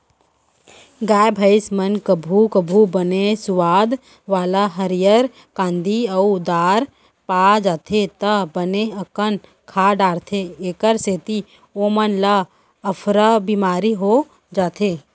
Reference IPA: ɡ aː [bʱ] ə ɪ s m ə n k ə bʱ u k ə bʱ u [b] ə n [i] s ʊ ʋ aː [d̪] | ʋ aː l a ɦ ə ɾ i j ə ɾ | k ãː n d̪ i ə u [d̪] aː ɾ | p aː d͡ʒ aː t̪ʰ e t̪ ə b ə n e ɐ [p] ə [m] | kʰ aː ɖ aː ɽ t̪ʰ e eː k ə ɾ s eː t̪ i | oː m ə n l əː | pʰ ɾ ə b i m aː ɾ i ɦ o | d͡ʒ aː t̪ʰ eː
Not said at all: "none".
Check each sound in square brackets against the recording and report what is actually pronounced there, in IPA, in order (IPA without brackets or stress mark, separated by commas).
bʱ, b, e, d̪, d̪, k, n